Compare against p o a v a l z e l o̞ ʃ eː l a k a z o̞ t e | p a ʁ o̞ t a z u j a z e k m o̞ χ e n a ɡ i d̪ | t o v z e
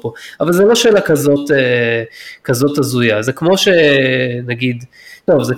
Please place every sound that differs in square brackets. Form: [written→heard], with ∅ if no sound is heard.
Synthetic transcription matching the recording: p o a v a l z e l o̞ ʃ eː l a k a z o̞ t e | [p→k] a [ʁ→z] o̞ t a z u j a z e k m o̞ [χ→ʃ] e n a ɡ i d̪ | t o v z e